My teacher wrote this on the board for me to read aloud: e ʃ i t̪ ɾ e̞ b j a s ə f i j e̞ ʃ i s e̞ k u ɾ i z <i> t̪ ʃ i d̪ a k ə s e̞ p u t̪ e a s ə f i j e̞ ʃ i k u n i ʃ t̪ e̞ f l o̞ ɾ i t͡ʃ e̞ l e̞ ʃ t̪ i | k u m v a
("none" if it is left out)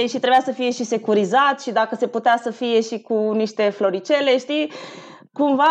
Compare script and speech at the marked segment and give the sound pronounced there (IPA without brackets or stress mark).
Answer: a